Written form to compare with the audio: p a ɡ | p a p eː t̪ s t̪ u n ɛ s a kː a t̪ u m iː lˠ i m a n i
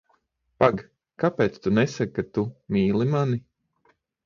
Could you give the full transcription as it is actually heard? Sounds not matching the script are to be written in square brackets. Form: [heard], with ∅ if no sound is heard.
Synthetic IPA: p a ɡ | [k] a p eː t̪ s t̪ u n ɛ s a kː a t̪ u m iː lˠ i m a n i

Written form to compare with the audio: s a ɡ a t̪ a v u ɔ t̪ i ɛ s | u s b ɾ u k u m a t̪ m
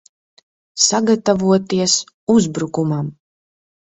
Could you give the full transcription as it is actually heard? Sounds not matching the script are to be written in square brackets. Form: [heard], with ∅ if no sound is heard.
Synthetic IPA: s a ɡ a t̪ a v u ɔ t̪ i ɛ s | u [z] b ɾ u k u m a [∅] m

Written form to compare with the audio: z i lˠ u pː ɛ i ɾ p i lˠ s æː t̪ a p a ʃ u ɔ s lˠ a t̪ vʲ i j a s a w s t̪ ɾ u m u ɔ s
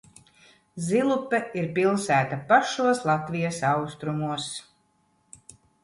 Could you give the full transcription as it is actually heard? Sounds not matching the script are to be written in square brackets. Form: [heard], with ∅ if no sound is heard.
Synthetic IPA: z i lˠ u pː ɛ i ɾ p i lˠ s æː t̪ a p a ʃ u ɔ s lˠ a t̪ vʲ i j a s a w s t̪ ɾ u m u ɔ s

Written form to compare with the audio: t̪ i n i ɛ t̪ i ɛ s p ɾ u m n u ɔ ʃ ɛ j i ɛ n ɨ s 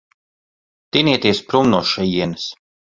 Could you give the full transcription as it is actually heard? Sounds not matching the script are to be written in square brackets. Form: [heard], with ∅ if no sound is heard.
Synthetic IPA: t̪ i n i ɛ t̪ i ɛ s p ɾ u m n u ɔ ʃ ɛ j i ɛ n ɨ s

